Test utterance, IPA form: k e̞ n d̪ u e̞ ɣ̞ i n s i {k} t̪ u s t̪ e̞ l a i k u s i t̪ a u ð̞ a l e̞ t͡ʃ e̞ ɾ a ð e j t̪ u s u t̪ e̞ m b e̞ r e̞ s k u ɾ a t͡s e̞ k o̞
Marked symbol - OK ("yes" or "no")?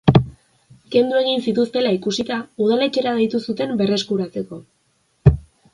no